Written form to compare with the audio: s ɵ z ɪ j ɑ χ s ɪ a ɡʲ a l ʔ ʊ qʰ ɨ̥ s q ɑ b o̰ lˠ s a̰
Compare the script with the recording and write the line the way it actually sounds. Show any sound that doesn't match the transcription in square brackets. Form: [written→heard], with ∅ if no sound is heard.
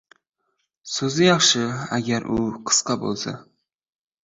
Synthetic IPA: s ɵ z ɪ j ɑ χ [s→ʃ] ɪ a ɡʲ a [l→ɾ] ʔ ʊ qʰ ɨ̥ s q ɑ b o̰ lˠ s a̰